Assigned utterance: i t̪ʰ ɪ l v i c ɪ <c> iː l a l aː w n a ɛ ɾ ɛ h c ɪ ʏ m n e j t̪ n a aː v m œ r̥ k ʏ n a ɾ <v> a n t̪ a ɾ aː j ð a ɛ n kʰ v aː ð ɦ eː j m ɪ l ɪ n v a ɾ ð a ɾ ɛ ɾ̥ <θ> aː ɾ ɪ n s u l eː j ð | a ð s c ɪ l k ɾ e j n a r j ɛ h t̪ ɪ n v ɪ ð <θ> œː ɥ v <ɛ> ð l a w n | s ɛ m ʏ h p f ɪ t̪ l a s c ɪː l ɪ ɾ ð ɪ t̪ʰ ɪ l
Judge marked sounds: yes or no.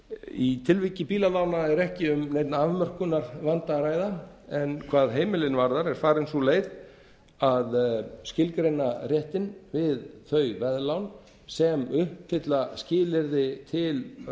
no, yes, no, yes, yes

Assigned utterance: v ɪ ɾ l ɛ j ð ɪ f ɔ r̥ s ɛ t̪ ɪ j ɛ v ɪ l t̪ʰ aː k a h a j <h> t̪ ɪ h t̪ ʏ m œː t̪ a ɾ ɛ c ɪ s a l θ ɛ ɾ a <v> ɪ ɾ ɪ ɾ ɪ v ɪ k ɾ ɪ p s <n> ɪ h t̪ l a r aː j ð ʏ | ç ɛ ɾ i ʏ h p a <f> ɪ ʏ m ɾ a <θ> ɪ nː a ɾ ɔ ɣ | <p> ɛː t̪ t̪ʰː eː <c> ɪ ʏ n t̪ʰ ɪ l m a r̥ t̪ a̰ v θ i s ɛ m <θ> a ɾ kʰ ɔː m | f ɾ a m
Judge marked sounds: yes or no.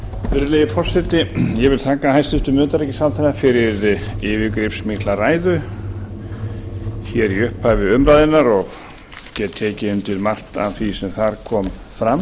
no, no, no, no, no, no, yes, yes

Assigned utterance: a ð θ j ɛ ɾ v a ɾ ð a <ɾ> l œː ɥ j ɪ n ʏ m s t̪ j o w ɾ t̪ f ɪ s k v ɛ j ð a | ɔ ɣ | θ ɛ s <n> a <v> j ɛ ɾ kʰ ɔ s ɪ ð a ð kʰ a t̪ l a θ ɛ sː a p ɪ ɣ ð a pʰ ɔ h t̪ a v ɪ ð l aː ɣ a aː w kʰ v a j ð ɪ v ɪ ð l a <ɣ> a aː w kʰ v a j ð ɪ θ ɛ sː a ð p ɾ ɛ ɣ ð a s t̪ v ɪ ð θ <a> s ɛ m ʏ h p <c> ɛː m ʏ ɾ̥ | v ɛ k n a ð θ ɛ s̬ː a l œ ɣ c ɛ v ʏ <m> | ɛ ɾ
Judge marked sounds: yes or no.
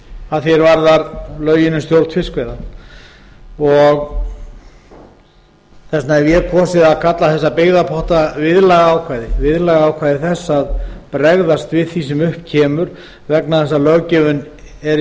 yes, yes, yes, yes, no, no, no

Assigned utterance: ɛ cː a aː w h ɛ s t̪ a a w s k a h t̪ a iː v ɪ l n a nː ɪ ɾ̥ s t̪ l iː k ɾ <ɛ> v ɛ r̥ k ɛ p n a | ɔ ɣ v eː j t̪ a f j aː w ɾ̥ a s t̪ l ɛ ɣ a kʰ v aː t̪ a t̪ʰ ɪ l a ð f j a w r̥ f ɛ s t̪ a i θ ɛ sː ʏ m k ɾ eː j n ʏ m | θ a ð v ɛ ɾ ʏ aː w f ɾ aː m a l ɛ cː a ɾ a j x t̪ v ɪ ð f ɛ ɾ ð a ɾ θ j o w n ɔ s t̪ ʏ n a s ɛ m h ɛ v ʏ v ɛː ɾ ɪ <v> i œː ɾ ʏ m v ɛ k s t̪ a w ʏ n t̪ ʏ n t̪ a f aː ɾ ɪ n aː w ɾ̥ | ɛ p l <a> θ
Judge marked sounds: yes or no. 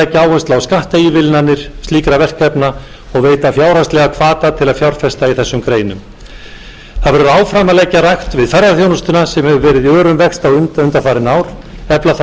no, no, yes

